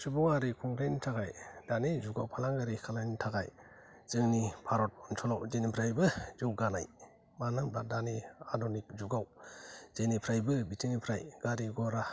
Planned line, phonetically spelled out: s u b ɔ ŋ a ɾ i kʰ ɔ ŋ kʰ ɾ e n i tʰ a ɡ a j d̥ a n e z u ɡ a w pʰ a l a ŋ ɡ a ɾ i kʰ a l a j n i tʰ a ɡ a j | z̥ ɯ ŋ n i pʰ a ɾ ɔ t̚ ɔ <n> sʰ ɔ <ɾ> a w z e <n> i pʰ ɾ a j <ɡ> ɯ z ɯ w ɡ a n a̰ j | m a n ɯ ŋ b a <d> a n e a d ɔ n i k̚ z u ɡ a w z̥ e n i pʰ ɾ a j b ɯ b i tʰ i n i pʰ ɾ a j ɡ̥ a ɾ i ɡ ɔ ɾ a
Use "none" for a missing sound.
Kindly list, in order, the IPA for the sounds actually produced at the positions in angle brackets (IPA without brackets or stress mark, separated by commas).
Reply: n, l, n, b, d